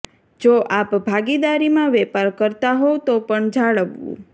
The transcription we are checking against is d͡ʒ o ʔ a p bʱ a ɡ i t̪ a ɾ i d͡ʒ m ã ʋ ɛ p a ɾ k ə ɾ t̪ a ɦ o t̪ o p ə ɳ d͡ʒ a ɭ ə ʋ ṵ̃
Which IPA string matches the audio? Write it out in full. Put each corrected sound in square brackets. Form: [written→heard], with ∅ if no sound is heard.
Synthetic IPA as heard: d͡ʒ o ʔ a p bʱ a ɡ i [t̪→d̪] a ɾ i [d͡ʒ→∅] m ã ʋ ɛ p a ɾ k ə ɾ t̪ a ɦ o t̪ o p ə ɳ d͡ʒ a ɭ ə ʋ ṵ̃

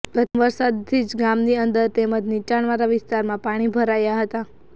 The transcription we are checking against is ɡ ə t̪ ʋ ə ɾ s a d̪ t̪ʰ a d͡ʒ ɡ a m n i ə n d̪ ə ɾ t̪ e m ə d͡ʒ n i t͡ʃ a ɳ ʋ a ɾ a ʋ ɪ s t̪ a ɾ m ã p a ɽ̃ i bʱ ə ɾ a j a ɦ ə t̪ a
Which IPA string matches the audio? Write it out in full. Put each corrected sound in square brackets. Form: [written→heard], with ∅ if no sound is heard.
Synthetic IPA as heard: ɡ ə t̪ ʋ ə ɾ s a d̪ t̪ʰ [a→i] d͡ʒ ɡ a m n i ə n d̪ ə ɾ t̪ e m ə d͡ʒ n i t͡ʃ a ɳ ʋ a ɾ a ʋ ɪ s t̪ a ɾ m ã p a ɽ̃ i bʱ ə ɾ a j a ɦ ə t̪ a

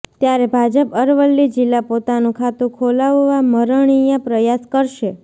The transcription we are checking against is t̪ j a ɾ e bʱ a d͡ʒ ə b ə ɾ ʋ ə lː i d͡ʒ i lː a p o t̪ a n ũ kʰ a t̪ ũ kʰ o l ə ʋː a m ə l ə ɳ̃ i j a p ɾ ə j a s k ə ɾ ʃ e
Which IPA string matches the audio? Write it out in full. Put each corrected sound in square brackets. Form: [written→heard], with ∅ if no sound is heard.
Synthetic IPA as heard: t̪ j a ɾ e bʱ a d͡ʒ ə [b→p] ə ɾ ʋ ə lː i d͡ʒ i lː a p o t̪ a n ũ kʰ a t̪ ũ kʰ o l [ə→a] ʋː a m ə [l→ɾ] ə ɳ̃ i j a p ɾ ə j a s k ə ɾ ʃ e

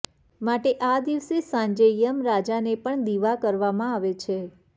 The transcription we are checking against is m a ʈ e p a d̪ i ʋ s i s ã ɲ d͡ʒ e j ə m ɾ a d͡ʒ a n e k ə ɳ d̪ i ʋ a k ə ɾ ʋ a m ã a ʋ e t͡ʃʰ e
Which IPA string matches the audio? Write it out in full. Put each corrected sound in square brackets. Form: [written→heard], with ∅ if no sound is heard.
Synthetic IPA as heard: m a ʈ e [p→ʔ] a d̪ i ʋ s [i→e] s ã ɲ d͡ʒ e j ə m ɾ a d͡ʒ a n e [k→p] ə ɳ d̪ i ʋ a k ə ɾ ʋ a m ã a ʋ e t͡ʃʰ e

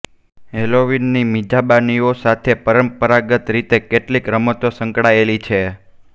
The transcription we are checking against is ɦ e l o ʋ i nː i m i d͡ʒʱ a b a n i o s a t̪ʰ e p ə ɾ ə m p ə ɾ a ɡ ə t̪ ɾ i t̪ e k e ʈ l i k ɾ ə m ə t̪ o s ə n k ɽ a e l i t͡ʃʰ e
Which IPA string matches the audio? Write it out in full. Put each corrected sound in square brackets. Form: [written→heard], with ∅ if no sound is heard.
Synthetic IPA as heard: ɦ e l o ʋ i nː i m i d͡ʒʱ a b a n i o s a t̪ʰ e p ə ɾ ə m p ə ɾ a ɡ ə t̪ ɾ i t̪ e k e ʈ l i k ɾ ə m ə t̪ o s ə [n→ŋ] k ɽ a e l i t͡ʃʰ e

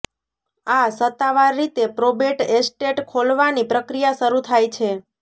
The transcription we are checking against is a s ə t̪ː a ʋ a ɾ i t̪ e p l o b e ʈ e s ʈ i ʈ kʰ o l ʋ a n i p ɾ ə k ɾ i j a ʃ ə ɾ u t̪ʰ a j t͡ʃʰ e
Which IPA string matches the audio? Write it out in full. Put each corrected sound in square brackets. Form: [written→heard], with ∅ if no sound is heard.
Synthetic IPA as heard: a s ə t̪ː a ʋ a [ɾ→ɾː] i t̪ e p [l→ɾ] o b e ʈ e s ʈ [i→e] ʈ kʰ o l ʋ a n i p ɾ ə k ɾ i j a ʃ ə ɾ u t̪ʰ a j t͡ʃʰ e

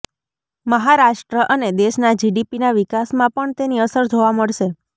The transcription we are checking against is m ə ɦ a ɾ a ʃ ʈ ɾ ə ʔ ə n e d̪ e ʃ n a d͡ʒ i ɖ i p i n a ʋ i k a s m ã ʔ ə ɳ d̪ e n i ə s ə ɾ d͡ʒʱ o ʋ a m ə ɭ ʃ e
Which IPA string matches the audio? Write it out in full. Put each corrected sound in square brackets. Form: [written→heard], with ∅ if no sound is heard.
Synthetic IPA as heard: m ə ɦ a ɾ a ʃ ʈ ɾ ə ʔ ə n e d̪ e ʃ n a d͡ʒ i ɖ i p i n a ʋ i k a s m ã [ʔ→p] ə ɳ [d̪→t̪] e n i ə s ə ɾ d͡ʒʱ o ʋ a m ə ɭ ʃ e

